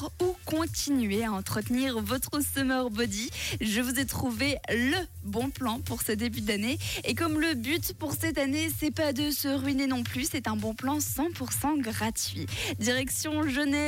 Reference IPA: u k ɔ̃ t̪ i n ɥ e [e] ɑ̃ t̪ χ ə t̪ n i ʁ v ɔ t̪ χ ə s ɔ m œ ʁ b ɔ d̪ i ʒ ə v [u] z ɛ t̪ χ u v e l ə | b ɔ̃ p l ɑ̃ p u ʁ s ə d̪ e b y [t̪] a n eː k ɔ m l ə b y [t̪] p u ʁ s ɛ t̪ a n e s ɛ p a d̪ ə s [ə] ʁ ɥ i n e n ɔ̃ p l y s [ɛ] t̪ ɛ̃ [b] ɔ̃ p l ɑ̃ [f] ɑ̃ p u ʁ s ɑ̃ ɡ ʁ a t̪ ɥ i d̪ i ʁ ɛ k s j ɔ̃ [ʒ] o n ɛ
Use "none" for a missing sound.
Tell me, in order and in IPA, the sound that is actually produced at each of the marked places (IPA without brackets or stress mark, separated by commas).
a, u, d̪, t̪, ə, ɛ, b, s, ʒ